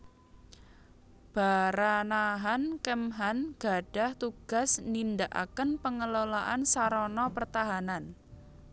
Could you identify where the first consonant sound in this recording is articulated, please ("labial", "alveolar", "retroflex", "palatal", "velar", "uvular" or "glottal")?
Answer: labial